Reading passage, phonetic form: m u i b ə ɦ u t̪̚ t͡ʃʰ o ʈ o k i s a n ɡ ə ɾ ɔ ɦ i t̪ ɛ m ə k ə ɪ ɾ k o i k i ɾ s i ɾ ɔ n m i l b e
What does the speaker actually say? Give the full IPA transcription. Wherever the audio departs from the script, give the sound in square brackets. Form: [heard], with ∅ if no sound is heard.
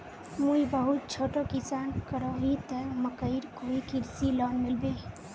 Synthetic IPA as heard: m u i b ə ɦ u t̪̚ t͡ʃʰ o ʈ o k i s a n [k] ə ɾ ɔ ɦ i t̪ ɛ m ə k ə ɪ ɾ k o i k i ɾ s i [l] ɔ n m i l b e